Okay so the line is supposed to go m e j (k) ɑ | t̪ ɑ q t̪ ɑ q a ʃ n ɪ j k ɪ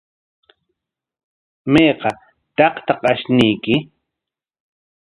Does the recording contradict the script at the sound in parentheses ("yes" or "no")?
yes